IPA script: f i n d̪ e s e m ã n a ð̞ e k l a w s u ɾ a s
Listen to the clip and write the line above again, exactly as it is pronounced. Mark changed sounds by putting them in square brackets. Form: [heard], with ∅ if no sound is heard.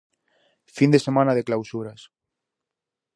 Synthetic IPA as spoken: f i n d̪ e s e m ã n a ð̞ e k l a w s u ɾ a s